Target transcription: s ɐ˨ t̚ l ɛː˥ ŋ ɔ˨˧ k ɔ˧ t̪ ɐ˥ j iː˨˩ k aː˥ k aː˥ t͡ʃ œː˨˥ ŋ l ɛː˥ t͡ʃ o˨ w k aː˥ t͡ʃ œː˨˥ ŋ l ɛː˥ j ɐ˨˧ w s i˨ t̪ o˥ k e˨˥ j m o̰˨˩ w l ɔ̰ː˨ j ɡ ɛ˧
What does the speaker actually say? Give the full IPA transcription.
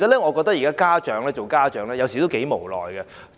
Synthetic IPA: s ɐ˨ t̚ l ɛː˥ ŋ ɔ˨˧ k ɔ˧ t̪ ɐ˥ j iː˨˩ k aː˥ k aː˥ t͡ʃ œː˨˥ ŋ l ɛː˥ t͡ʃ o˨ w k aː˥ t͡ʃ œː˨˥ ŋ l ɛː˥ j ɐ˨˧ w s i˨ t̪ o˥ k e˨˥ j m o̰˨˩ w l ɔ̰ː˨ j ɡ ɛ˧

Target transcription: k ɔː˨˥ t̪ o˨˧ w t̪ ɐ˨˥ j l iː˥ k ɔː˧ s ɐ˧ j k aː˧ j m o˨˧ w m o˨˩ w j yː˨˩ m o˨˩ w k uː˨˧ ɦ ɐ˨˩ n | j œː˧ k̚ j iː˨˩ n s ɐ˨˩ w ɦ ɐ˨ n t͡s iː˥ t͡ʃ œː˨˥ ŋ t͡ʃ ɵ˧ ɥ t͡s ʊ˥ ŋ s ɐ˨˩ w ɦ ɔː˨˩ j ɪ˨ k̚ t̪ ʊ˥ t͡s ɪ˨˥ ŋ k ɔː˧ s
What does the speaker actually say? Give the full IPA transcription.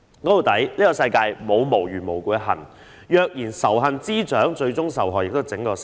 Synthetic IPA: k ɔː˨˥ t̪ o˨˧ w t̪ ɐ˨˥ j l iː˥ k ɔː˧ s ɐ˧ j k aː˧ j m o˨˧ w m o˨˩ w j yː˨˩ m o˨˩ w k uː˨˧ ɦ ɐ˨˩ n | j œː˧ k̚ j iː˨˩ n s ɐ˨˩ w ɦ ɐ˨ n t͡s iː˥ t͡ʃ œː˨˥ ŋ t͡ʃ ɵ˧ ɥ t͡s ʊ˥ ŋ s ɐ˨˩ w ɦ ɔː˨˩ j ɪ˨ k̚ t̪ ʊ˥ t͡s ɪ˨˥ ŋ k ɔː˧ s

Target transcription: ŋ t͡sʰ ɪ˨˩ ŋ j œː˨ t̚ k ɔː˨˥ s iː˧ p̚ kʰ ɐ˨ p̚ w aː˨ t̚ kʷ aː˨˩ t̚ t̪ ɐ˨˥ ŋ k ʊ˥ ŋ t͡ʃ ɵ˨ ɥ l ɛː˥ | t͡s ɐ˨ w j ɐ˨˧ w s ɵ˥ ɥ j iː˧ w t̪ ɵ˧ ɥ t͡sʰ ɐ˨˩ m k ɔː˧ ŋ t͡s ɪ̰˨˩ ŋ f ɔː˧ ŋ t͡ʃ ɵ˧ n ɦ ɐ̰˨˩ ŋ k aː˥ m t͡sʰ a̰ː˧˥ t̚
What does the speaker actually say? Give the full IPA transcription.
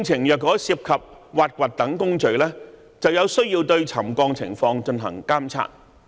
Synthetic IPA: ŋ t͡sʰ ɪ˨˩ ŋ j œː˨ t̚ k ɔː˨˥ s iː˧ p̚ kʰ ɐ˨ p̚ w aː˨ t̚ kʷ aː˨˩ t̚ t̪ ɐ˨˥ ŋ k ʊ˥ ŋ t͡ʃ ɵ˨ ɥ l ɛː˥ | t͡s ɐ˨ w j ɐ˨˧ w s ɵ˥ ɥ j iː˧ w t̪ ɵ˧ ɥ t͡sʰ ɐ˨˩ m k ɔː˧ ŋ t͡sʰ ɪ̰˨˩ ŋ f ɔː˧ ŋ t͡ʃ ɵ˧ n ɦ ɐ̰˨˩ ŋ k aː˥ m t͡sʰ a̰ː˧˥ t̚

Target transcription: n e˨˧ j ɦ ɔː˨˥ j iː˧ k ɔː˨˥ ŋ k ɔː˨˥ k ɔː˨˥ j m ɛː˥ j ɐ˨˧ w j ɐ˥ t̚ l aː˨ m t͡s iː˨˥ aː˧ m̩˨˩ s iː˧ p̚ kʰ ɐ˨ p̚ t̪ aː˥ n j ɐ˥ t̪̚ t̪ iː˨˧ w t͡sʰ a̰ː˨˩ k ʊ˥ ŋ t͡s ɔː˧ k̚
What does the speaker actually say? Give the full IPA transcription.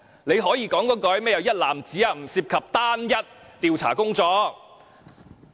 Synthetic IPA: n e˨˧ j ɦ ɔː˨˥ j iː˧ k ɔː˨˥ ŋ k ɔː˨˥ k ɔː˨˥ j m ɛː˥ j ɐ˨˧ w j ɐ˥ t̚ l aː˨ m t͡s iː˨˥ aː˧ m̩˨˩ s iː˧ p̚ kʰ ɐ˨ p̚ t̪ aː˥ n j ɐ˥ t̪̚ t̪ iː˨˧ w t͡sʰ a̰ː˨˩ k ʊ˥ ŋ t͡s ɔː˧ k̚

